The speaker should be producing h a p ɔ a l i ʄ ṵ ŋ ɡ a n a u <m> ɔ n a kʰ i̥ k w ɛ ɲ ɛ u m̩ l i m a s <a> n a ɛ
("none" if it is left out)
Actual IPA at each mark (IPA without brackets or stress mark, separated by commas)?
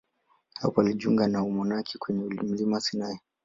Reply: m, i